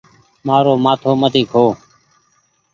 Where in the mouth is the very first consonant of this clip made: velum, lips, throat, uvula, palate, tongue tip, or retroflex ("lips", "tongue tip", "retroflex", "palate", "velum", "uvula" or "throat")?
lips